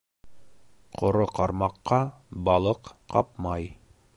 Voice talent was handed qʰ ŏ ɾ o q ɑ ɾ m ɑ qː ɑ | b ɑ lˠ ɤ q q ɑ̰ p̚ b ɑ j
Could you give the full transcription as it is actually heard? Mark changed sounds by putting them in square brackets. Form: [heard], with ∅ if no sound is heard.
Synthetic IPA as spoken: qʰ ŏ ɾ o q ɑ ɾ m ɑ qː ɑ | b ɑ lˠ ɤ q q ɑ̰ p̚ [m] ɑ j